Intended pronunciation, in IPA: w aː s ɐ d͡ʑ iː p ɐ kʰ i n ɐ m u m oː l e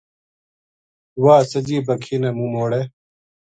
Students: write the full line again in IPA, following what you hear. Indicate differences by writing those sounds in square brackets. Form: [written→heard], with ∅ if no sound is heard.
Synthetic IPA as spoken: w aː s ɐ d͡ʑ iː [p→b] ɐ kʰ i n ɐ m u m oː [l→ɽ] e